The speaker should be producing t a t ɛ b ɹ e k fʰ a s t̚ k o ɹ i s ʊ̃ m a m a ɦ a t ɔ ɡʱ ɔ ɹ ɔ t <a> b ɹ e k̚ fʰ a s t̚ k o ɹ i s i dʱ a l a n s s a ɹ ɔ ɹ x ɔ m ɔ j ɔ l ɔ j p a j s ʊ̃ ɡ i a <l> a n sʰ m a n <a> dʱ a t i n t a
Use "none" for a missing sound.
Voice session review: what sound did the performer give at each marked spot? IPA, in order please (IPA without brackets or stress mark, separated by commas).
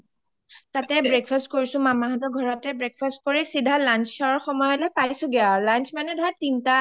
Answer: ɛ, l, ɛ